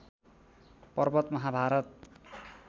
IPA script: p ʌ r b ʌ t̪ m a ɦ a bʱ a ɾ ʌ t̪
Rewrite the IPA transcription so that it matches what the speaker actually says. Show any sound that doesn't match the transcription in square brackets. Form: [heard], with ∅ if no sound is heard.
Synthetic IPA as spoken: p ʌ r b ʌ t̪ m [ʌ] ɦ a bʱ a ɾ ʌ t̪